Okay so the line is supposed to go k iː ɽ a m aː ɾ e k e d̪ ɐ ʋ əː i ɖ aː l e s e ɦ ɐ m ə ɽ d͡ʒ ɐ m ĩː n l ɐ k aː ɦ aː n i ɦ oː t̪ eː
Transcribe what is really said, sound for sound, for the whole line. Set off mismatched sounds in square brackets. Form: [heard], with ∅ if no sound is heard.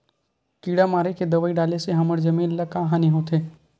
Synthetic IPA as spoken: k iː ɽ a m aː ɾ e k e d̪ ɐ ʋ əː i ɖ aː l e s e ɦ ɐ m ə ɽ d͡ʒ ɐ m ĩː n l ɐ k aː ɦ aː n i ɦ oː t̪ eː

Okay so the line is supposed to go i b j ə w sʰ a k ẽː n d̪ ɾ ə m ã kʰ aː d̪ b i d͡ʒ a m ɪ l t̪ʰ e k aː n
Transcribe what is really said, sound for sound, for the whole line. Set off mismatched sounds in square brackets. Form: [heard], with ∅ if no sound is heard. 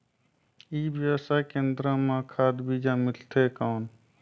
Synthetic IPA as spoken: i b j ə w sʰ a k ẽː n d̪ ɾ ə m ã kʰ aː d̪ b i d͡ʒ a m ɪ l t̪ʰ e k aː n

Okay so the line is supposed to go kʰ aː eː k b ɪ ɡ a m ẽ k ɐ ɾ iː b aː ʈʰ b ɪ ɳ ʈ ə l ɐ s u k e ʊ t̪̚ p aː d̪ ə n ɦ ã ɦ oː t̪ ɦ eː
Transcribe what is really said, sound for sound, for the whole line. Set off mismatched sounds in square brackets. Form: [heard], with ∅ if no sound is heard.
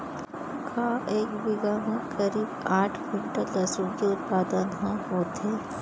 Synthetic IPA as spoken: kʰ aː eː k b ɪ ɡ a m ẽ k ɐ ɾ iː b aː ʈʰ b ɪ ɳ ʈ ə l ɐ s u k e ʊ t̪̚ p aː d̪ ə n ɦ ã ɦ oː t̪ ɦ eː

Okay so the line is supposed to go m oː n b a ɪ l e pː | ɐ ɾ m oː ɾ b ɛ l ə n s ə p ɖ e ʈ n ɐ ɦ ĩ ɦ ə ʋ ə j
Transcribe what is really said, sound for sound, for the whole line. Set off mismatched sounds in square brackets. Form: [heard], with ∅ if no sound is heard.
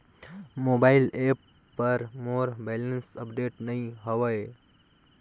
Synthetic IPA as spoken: m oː [∅] b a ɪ l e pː | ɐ ɾ m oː ɾ b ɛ l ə n s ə p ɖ e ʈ n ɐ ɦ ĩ ɦ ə ʋ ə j

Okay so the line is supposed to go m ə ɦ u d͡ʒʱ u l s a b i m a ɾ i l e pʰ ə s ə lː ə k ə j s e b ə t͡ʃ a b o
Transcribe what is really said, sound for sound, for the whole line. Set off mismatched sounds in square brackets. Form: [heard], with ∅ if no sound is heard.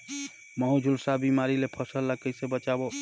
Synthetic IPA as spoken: m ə ɦ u d͡ʒʱ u l s a b i m a ɾ i l e pʰ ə s ə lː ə k ə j s e b ə t͡ʃ a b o

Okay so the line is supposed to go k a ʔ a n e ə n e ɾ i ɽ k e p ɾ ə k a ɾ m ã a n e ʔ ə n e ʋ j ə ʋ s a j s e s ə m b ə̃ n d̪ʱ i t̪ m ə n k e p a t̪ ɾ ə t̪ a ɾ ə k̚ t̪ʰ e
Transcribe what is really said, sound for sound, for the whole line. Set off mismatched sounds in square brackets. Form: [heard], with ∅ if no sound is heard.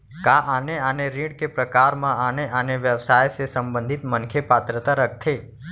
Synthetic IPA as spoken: k a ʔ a n e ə n e ɾ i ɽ k e p ɾ ə k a ɾ m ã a n e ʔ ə n e ʋ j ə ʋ s a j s e s ə m b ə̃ n d̪ʱ i t̪ m ə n [kʰ] e p a t̪ ɾ ə t̪ a ɾ ə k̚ t̪ʰ e

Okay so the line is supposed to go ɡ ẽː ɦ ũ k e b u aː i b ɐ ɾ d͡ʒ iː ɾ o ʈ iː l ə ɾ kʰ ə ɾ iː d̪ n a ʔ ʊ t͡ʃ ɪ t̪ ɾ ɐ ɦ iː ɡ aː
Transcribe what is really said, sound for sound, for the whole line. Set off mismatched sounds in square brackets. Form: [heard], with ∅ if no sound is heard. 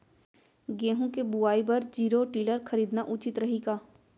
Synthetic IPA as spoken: ɡ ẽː ɦ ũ k e b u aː i b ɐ ɾ d͡ʒ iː ɾ o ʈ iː l ə ɾ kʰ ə ɾ iː d̪ n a ʔ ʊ t͡ʃ ɪ t̪ ɾ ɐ ɦ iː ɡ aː

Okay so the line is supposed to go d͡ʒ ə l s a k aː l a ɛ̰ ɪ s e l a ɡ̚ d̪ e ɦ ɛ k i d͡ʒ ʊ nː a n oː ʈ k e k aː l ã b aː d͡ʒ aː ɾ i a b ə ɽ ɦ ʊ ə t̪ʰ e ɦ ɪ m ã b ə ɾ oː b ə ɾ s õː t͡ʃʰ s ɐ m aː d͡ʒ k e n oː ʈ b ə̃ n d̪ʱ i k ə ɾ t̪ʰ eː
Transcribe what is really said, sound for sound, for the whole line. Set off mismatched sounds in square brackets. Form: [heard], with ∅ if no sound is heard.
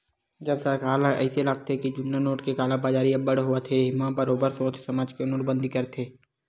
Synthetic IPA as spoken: d͡ʒ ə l s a k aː l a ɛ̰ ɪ s e l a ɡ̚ [t̪] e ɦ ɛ k i d͡ʒ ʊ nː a n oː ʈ k e k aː l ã b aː d͡ʒ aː ɾ i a b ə ɽ ɦ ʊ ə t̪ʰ e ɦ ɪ m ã b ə ɾ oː b ə ɾ s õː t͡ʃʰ s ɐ m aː d͡ʒ k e n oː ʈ b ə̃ n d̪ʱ i k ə ɾ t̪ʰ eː

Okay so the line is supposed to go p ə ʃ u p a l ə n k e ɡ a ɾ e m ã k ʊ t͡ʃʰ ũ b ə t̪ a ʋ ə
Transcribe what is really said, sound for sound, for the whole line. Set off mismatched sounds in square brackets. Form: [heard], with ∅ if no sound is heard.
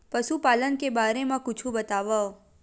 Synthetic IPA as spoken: p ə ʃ u p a l ə n k e [b] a ɾ e m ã k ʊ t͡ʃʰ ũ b ə t̪ a ʋ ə

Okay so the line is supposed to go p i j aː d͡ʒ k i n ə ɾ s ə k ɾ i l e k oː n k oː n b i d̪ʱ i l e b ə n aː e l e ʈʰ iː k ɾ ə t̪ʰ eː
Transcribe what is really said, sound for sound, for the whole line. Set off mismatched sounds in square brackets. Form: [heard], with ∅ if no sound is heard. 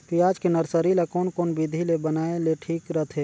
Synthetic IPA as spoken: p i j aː d͡ʒ k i n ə ɾ s ə [∅] ɾ i l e k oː n k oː n b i d̪ʱ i l e b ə n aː e l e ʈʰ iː k ɾ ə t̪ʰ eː

